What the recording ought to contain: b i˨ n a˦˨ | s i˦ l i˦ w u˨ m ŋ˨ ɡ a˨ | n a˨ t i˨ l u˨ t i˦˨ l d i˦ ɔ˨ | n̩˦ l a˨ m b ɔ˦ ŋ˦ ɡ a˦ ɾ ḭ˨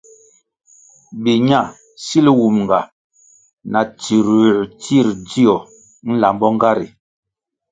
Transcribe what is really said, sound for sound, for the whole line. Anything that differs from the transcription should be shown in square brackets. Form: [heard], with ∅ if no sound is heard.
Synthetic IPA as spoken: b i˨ [ɲ] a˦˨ | s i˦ l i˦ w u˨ m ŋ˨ ɡ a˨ | n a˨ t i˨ [ɾ] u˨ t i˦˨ [ɾ] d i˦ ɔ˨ | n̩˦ l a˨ m b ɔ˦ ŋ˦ ɡ a˦ ɾ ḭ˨